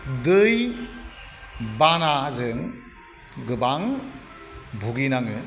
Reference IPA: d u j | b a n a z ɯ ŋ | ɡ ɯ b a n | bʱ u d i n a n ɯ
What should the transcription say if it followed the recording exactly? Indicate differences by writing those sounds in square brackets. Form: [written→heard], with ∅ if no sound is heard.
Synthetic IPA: d [u→ɯ] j | b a n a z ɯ ŋ | ɡ ɯ b a [n→ŋ] | bʱ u [d→ɡ] i n a [n→ŋ] ɯ